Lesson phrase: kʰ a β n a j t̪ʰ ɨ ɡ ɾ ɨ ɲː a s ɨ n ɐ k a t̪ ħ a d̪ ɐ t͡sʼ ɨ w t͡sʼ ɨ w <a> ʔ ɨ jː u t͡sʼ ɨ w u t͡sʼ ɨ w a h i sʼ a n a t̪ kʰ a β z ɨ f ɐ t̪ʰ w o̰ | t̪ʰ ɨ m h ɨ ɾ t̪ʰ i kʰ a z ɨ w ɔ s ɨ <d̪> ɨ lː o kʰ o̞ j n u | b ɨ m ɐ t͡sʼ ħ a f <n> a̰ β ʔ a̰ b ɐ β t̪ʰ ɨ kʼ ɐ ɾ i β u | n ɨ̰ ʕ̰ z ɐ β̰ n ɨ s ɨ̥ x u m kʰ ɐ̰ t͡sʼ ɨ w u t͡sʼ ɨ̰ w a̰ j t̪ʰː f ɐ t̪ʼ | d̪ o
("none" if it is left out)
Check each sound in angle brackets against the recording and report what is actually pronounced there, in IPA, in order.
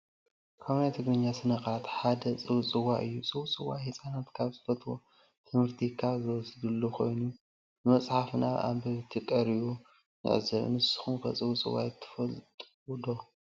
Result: a, d̪, n

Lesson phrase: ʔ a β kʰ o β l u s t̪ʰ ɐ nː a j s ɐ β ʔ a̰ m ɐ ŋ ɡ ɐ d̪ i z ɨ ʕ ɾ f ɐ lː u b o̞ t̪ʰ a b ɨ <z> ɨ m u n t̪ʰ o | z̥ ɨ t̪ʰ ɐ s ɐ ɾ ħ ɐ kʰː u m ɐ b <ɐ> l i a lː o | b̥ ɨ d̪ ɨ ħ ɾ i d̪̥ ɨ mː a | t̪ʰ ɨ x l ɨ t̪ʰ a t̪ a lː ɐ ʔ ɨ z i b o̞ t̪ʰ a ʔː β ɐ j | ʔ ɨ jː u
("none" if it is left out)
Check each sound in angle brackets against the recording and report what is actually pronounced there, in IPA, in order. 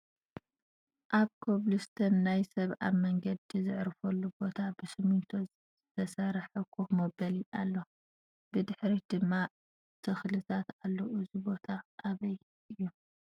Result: s, ɐ

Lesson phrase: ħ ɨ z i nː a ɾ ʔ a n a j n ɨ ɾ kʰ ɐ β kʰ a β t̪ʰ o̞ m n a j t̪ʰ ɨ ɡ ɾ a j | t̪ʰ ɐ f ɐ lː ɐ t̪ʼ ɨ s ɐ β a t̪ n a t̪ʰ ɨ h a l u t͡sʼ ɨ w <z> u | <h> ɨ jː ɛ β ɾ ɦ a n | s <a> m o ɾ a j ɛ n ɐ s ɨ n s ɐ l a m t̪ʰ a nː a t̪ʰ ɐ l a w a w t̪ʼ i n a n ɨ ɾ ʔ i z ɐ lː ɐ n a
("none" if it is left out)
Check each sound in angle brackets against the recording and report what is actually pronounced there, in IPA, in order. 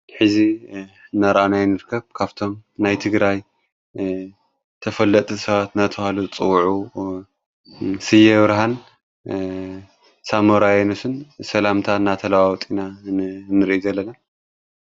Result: ʕ, s, a

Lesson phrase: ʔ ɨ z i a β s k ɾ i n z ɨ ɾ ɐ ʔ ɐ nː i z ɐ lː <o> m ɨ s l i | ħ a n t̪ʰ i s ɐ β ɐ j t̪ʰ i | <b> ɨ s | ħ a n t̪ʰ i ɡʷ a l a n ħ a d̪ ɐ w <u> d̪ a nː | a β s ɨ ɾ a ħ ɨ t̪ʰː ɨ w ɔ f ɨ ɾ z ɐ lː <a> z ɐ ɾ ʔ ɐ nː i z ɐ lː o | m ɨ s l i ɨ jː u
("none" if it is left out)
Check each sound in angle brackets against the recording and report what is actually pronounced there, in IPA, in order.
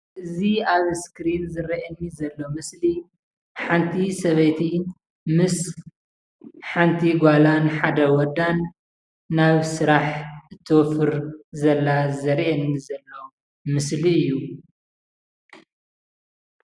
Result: o, m, ɔ, a

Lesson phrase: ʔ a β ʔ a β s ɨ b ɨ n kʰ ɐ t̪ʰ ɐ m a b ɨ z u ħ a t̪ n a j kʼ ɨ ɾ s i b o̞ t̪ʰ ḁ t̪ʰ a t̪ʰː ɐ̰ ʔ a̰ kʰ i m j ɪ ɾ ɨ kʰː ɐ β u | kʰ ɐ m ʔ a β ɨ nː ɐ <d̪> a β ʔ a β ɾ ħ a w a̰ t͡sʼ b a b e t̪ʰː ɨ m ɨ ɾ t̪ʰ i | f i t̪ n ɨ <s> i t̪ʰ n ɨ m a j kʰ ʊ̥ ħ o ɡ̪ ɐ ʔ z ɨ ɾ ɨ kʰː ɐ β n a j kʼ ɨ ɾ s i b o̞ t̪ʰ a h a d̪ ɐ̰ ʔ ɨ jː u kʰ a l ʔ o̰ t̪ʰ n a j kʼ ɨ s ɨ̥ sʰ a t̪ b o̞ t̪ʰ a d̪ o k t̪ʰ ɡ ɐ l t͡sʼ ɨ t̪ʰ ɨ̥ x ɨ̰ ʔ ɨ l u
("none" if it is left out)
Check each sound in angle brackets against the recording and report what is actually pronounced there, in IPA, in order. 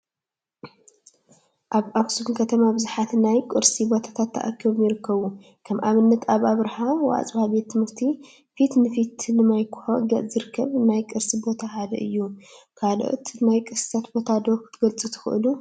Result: t̪, f

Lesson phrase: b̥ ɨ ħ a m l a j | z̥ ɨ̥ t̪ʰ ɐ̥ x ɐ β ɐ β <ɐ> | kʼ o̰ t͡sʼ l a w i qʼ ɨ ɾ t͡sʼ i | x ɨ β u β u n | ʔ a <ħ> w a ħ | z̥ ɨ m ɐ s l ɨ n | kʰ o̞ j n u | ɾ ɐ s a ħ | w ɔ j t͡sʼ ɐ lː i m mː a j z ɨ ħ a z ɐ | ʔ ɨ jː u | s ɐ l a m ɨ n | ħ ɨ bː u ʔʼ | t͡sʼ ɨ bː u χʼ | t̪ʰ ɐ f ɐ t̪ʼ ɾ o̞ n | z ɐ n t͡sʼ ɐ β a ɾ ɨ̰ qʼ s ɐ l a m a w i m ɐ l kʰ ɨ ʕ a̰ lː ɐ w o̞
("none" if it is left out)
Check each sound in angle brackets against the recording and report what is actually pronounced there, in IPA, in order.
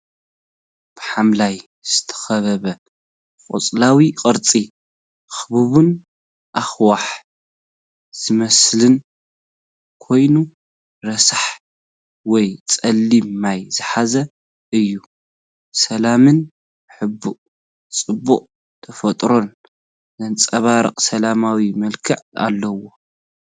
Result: ɐ, x

